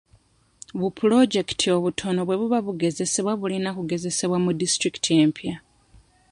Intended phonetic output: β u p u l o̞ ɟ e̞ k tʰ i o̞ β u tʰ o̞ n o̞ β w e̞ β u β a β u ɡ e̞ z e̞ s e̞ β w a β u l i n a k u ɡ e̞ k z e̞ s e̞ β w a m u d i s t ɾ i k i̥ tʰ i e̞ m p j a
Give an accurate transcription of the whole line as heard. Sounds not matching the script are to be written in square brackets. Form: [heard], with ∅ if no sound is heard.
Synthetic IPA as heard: β u p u l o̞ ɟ e̞ k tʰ i o̞ β u tʰ o̞ n o̞ β w e̞ β u β a β u ɡ e̞ z e̞ s e̞ β w a β u l i n a k u ɡ e̞ [∅] z e̞ s e̞ β w a m u d i s t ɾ i k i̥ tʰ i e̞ m p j a